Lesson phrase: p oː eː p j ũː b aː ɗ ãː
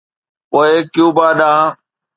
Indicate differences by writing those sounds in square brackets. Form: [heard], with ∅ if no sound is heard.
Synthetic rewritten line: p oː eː [k] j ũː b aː ɗ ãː